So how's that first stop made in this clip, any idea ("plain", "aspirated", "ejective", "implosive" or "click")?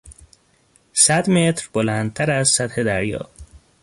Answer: plain